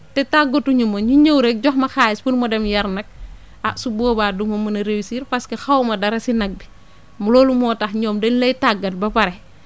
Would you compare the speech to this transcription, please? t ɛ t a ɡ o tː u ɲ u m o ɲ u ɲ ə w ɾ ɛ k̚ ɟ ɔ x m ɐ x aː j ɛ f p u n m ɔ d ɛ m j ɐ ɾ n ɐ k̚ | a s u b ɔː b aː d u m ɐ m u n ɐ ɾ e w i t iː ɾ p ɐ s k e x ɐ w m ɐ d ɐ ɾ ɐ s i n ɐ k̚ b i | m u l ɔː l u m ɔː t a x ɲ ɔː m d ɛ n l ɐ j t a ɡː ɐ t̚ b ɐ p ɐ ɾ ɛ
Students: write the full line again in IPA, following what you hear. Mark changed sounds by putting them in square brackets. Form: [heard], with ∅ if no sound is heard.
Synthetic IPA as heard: t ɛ t a ɡ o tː u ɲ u m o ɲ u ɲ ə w ɾ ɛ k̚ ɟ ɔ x m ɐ x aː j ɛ [s] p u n m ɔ d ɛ m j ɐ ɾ n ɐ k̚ | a s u b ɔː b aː d u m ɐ m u n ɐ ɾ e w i [s] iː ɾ p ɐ s k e x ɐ w m ɐ d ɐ ɾ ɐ s i n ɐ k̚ b i | m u l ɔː l u m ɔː t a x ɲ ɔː m d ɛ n l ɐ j t a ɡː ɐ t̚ b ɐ p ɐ ɾ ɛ